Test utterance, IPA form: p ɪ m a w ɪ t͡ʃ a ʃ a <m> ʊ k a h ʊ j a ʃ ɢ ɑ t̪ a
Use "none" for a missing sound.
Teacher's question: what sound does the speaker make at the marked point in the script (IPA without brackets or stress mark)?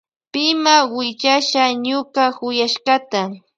ɲ